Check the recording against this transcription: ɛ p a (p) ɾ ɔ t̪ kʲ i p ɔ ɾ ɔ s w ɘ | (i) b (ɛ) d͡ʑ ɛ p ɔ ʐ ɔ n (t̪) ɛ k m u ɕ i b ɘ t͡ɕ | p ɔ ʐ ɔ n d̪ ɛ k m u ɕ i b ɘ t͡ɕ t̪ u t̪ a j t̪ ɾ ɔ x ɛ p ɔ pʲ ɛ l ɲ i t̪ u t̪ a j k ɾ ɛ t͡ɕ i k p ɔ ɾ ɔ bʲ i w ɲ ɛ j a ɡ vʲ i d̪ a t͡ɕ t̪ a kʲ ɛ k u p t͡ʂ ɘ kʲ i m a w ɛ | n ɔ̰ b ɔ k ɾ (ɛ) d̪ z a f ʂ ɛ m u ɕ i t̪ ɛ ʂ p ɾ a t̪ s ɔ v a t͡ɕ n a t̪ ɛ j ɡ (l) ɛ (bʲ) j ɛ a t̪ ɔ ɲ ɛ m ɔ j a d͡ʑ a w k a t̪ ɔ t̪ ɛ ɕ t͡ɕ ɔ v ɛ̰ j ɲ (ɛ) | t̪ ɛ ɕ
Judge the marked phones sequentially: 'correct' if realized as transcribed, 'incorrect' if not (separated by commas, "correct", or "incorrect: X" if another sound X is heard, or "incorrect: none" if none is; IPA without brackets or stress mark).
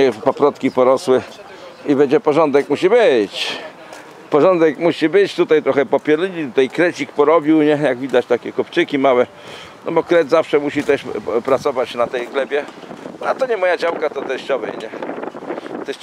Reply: correct, correct, correct, incorrect: d̪, correct, correct, correct, correct